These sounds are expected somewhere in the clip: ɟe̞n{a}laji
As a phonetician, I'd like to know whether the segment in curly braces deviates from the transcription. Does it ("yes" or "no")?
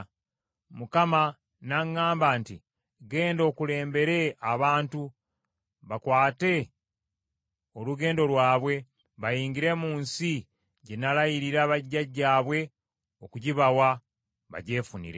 no